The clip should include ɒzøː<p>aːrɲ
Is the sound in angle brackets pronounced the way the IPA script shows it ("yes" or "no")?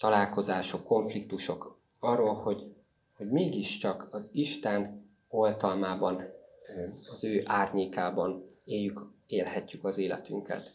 no